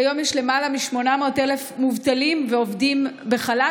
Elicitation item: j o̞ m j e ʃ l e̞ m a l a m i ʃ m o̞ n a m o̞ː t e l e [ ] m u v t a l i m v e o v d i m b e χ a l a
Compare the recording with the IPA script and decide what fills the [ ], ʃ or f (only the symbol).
f